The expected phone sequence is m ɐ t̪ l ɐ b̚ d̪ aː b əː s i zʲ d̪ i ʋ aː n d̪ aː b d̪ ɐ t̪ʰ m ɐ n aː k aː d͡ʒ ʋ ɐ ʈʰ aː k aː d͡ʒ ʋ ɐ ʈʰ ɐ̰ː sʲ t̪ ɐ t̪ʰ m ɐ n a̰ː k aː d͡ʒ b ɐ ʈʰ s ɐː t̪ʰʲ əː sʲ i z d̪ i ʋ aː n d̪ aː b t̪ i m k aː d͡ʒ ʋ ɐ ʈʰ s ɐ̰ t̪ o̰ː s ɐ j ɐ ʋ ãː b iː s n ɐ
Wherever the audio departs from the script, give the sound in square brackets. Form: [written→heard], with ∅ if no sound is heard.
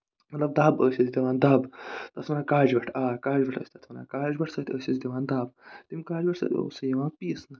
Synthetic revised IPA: m ɐ t̪ l ɐ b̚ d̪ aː b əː s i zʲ d̪ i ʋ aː n d̪ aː b [d̪→t̪] ɐ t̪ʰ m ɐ n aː k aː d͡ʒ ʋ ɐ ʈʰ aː k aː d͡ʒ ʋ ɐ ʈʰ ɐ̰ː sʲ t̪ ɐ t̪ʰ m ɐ n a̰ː k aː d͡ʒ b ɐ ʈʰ s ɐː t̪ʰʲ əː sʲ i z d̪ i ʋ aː n d̪ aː b t̪ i m k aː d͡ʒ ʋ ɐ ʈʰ s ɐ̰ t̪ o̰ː s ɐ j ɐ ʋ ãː [b→p] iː s n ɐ